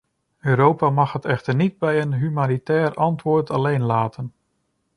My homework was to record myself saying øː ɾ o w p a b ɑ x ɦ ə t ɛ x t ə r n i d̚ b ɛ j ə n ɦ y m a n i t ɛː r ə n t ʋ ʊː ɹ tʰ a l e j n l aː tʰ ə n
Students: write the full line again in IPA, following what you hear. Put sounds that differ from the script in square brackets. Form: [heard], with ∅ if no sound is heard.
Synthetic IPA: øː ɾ o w p a [m] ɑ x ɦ ə t ɛ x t ə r n i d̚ b ɛ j ə n ɦ y m a n i t ɛː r [ɑ] n t ʋ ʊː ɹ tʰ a l e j n l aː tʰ ə n